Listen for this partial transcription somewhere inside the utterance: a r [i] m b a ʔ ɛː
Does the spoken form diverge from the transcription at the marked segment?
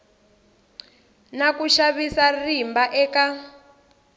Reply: no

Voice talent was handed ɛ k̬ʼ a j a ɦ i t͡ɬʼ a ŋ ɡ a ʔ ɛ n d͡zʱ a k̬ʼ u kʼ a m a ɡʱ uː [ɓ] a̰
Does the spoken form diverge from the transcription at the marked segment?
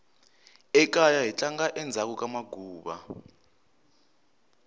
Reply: no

